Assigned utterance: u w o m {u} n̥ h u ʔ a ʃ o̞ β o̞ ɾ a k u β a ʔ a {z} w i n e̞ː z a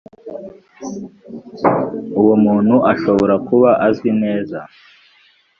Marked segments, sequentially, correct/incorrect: incorrect: uː, correct

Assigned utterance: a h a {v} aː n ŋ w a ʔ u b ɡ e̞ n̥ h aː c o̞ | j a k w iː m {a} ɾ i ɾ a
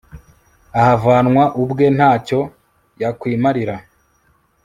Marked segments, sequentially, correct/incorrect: correct, correct

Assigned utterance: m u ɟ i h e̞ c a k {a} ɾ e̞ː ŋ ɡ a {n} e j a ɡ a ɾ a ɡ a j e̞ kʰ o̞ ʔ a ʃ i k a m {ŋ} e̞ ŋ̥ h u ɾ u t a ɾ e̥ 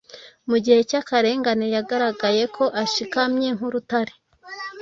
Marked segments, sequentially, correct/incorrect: correct, correct, incorrect: ɲ

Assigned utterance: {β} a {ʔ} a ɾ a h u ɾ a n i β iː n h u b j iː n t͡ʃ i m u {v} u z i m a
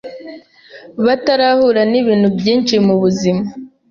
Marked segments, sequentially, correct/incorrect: correct, incorrect: t, incorrect: β

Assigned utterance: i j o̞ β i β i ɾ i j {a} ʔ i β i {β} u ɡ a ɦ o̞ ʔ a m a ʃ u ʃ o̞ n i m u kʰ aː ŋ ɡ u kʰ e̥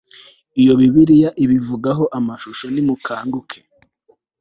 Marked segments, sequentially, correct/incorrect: correct, incorrect: v

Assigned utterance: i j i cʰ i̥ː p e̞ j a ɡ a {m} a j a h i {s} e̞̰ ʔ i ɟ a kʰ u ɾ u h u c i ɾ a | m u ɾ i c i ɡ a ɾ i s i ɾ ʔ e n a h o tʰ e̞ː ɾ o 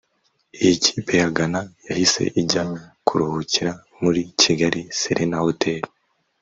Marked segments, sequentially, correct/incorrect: incorrect: n, correct

